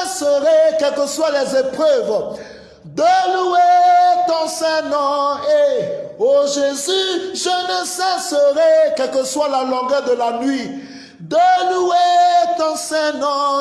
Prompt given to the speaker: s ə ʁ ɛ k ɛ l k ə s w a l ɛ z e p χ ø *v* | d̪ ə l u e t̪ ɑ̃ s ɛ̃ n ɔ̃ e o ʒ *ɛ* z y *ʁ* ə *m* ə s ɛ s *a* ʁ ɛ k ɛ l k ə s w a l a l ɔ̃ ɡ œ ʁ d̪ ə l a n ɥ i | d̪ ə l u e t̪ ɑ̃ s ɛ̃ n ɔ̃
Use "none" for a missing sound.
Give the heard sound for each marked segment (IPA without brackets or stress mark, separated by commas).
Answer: v, e, ʒ, n, ə